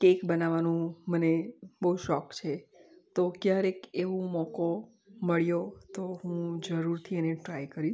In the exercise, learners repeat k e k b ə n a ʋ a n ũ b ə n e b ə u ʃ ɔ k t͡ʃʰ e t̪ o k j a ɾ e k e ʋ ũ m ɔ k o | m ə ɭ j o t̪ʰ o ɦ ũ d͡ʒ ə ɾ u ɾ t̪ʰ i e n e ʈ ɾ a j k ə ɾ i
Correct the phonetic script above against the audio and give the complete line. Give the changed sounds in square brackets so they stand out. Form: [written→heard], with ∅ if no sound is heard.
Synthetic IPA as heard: k e k b ə n a ʋ a n ũ [b→m] ə n e b ə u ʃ ɔ k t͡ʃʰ e t̪ o k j a ɾ e k e ʋ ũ m ɔ k o | m ə ɭ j o [t̪ʰ→t̪] o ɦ ũ d͡ʒ ə ɾ u ɾ t̪ʰ i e n e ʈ ɾ a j k ə ɾ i